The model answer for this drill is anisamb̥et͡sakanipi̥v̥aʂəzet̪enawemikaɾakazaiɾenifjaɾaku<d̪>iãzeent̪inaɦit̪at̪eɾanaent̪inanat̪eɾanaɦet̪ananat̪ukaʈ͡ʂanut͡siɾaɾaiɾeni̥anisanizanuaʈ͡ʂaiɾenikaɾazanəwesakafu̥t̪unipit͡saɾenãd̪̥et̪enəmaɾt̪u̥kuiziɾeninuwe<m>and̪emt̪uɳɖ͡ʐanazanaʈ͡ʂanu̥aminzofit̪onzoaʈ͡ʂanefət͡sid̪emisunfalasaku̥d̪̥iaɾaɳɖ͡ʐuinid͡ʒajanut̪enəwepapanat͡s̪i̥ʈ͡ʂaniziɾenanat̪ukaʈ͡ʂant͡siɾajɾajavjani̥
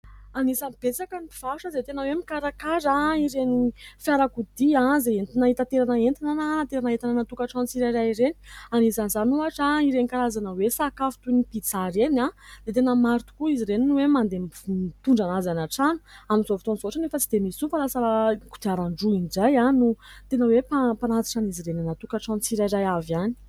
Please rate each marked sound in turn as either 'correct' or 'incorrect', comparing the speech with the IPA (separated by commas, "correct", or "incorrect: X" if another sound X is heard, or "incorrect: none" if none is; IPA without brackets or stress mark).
correct, correct